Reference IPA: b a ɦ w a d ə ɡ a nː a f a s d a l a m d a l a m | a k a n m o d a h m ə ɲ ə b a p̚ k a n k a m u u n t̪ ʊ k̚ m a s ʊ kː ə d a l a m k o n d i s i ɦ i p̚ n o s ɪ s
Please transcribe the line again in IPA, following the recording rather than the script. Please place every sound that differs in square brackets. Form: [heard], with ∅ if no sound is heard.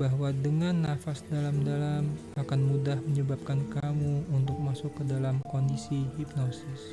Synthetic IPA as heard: b a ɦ w a d ə [ŋ] a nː a f a s d a l a m d a l a m | a k a n m [u] d a h m ə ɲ ə b a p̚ k a n k a m u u n t̪ ʊ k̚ m a s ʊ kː ə d a l a m k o n d i s i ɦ i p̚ n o s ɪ s